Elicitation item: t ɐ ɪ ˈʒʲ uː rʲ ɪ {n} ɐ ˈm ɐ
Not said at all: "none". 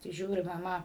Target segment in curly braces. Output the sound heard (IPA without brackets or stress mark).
m